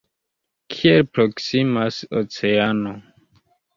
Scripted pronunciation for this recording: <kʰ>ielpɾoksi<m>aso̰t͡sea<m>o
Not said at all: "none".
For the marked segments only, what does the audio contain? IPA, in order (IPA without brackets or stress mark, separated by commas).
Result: kʰ, m, n